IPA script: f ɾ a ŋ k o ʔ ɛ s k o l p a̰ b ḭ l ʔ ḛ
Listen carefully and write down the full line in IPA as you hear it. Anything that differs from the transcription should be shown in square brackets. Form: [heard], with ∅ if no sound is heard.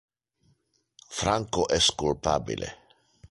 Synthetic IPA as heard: f ɾ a ŋ k o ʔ ɛ s k [u] l p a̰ b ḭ l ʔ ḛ